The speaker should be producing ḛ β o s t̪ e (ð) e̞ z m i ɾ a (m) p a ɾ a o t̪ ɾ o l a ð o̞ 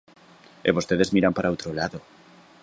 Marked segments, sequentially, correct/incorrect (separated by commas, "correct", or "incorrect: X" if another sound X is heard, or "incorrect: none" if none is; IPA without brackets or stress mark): correct, correct